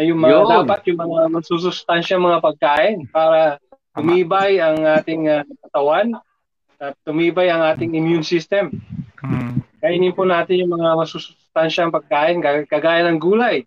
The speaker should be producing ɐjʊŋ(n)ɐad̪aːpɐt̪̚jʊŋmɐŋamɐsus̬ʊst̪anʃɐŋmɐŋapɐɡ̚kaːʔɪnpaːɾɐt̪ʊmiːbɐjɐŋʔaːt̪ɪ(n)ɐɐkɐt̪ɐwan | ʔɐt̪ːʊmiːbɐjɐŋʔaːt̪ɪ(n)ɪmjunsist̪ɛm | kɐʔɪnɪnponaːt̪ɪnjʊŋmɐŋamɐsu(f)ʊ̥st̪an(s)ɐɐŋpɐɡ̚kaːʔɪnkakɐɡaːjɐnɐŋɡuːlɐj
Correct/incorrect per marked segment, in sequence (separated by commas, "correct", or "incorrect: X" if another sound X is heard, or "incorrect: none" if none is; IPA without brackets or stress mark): incorrect: m, incorrect: ŋ, incorrect: ŋ, incorrect: s, incorrect: ʃ